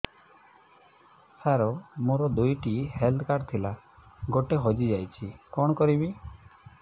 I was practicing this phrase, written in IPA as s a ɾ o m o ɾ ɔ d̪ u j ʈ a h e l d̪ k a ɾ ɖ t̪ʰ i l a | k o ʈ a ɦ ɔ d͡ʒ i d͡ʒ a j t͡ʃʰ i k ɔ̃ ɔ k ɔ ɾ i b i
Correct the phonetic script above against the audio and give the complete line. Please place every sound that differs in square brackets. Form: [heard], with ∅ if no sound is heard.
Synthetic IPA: s a ɾ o m o ɾ ɔ d̪ u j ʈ [i] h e l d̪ k a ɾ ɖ t̪ʰ i l a | [ɡ] o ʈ [e] ɦ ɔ d͡ʒ i d͡ʒ a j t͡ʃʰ i k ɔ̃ ɔ k ɔ ɾ i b i